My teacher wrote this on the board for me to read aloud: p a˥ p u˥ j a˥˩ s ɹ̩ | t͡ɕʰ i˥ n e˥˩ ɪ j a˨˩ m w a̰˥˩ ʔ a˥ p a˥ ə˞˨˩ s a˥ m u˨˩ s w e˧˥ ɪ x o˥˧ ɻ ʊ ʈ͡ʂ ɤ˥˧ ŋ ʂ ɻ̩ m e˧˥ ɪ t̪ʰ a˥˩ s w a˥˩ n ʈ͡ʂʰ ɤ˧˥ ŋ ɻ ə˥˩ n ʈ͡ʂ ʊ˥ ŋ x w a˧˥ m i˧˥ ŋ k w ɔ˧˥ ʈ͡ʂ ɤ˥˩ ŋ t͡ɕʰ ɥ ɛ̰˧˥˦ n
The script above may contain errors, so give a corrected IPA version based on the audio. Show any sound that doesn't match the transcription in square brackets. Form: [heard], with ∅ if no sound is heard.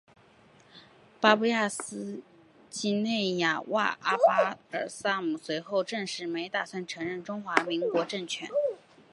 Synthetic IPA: p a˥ p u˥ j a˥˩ s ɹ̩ | [t͡ɕ] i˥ n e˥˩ ɪ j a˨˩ [∅] w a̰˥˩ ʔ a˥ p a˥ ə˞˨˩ s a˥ m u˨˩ s w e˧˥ ɪ x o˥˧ [∅] ʊ ʈ͡ʂ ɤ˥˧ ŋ ʂ ɻ̩ m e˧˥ ɪ [t̪] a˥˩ s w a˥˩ n ʈ͡ʂʰ ɤ˧˥ ŋ ɻ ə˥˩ n ʈ͡ʂ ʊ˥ ŋ x w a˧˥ m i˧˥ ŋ k w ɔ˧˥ ʈ͡ʂ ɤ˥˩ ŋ t͡ɕʰ ɥ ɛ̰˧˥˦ n